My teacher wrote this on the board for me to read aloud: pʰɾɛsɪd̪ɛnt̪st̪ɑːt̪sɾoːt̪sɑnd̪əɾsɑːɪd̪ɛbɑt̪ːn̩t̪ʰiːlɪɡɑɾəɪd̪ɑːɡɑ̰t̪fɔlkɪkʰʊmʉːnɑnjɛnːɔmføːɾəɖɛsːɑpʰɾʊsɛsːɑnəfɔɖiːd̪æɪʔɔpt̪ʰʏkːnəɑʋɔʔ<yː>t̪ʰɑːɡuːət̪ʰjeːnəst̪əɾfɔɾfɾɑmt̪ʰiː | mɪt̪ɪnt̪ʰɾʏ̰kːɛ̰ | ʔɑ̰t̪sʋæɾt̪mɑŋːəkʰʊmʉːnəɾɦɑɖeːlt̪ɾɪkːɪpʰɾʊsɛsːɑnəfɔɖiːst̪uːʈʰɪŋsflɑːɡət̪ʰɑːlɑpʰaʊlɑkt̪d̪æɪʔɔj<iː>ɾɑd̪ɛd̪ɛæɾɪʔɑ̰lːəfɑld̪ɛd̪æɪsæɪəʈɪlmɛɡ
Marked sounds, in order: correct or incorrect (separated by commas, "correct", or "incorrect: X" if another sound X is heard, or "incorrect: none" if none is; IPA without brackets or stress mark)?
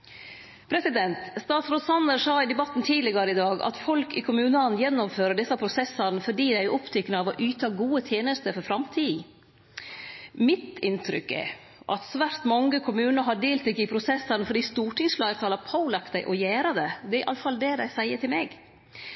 correct, incorrect: æː